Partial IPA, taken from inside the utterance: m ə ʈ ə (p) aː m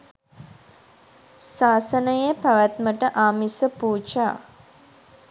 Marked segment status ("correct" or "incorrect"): incorrect